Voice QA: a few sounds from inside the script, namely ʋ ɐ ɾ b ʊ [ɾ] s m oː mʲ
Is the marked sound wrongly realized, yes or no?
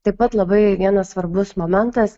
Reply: yes